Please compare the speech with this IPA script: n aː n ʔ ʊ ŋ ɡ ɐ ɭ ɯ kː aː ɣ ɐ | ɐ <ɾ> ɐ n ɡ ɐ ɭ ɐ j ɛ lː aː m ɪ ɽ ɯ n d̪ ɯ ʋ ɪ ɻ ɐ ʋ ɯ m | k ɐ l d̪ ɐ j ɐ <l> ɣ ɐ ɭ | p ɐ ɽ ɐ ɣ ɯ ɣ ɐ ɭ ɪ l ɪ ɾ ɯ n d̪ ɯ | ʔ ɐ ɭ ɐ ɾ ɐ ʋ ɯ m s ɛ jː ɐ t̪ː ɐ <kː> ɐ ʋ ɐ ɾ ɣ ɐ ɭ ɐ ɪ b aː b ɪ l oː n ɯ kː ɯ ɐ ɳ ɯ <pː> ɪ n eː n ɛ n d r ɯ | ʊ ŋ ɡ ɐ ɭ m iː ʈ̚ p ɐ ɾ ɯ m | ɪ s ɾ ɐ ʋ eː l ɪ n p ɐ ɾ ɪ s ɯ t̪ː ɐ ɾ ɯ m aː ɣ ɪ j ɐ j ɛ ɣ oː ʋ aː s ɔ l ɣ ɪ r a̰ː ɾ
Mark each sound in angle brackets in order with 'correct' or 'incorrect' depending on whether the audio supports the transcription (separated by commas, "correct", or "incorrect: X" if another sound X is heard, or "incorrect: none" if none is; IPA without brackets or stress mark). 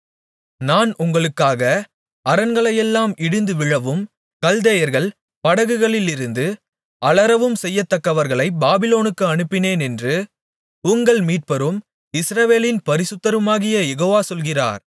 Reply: correct, incorrect: ɾ, correct, correct